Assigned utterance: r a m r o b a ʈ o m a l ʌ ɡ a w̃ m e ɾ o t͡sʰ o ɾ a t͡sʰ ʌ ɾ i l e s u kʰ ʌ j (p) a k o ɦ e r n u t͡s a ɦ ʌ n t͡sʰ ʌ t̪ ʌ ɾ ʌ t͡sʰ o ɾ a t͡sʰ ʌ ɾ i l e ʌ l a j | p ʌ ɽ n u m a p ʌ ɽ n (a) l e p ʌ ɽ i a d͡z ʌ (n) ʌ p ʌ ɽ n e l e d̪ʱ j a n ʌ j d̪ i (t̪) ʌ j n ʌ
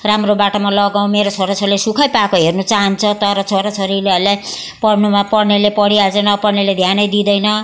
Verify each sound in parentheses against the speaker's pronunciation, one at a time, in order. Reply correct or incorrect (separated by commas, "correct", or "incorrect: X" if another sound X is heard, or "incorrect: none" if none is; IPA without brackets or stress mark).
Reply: correct, incorrect: e, correct, incorrect: d̪